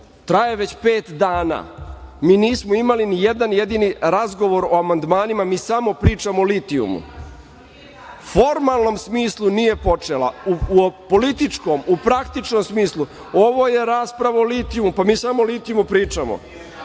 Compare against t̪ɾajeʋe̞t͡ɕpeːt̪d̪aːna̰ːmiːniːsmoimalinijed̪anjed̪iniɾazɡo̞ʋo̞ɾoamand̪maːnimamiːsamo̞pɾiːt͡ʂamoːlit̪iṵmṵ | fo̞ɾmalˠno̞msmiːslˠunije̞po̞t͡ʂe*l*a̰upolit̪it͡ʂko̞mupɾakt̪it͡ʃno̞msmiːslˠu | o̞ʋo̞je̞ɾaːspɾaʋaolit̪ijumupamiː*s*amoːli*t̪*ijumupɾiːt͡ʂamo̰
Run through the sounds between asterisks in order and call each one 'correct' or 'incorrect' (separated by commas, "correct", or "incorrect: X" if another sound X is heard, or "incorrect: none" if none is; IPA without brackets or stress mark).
correct, correct, correct